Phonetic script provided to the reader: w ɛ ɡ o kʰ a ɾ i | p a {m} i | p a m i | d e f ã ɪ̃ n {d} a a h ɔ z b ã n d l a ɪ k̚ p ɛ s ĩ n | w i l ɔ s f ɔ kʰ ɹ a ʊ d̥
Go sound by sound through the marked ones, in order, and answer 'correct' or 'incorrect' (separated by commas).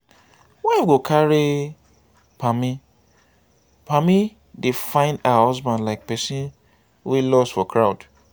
correct, correct